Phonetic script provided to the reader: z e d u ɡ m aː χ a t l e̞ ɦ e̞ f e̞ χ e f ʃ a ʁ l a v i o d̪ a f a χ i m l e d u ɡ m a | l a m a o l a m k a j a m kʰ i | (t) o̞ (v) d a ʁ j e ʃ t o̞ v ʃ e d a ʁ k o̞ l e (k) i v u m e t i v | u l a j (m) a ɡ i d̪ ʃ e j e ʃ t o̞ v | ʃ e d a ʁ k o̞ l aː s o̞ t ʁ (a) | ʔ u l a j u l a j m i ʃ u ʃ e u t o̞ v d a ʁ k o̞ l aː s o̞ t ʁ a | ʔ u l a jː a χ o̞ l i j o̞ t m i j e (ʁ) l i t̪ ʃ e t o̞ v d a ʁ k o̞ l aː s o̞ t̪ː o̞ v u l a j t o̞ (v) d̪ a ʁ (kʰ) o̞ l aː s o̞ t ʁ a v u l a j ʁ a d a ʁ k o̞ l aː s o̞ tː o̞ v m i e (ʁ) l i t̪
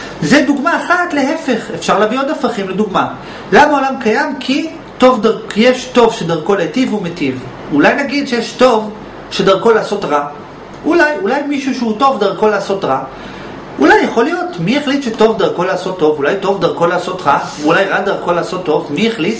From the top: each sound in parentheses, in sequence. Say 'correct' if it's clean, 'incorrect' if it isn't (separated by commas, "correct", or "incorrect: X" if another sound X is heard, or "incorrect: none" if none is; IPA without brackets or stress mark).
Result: correct, correct, incorrect: t, incorrect: n, correct, incorrect: χ, correct, incorrect: k, incorrect: χ